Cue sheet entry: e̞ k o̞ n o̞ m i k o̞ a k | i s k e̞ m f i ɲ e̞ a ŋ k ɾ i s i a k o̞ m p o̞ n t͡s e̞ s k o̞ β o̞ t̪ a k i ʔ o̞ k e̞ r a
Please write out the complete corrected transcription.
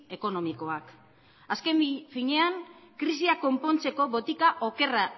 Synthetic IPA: e̞ k o̞ n o̞ m i k o̞ a k | a s k e̞ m f i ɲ e̞ a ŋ k ɾ i s i a k o̞ m p o̞ n t͡s e̞ k o̞ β o̞ t̪ i k a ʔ o̞ k e̞ r a